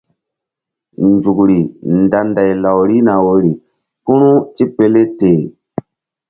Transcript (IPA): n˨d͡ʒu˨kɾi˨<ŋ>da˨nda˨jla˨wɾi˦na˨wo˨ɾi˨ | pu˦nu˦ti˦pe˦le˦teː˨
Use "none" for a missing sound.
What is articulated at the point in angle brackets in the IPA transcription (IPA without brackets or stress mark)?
n